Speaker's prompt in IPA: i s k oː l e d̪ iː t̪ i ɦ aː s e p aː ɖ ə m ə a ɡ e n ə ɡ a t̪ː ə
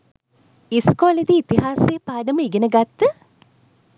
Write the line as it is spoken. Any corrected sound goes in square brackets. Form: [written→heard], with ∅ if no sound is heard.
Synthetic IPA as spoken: i s k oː l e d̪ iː t̪ i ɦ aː s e p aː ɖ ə m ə [a→i] ɡ e n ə ɡ a t̪ː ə